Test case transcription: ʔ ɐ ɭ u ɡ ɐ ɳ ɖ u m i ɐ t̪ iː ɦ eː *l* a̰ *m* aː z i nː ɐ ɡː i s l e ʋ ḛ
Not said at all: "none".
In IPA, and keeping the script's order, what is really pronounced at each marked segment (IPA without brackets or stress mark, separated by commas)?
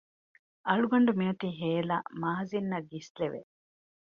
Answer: l, m